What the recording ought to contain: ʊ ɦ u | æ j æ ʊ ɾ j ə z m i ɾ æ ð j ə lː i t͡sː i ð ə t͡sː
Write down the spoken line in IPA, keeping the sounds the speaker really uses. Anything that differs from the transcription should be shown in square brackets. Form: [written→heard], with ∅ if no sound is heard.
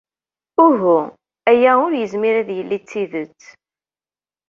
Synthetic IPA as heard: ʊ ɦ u | æ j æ ʊ ɾ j ə z m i ɾ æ ð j ə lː i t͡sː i ð ə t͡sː